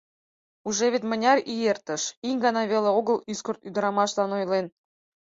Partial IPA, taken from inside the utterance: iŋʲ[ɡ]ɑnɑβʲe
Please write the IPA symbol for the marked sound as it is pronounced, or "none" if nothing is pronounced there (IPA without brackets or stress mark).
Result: ɡ